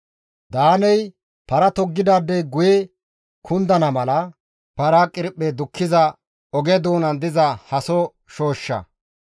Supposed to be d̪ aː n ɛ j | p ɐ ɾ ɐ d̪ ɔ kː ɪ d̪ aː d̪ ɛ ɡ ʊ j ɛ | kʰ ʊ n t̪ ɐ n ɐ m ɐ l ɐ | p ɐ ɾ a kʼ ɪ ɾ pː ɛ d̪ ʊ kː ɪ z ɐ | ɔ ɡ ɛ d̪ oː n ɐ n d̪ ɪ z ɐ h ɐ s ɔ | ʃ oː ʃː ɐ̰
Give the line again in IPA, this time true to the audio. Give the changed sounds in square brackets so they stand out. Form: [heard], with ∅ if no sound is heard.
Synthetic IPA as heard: d̪ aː n ɛ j | p ɐ ɾ ɐ [t̪] ɔ [ɡː] ɪ d̪ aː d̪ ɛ ɡ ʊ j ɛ | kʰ ʊ n [d̪] ɐ n ɐ m ɐ l ɐ | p ɐ ɾ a kʼ ɪ ɾ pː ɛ d̪ ʊ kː ɪ z ɐ | ɔ ɡ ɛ d̪ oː n ɐ n d̪ ɪ z ɐ h ɐ s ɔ | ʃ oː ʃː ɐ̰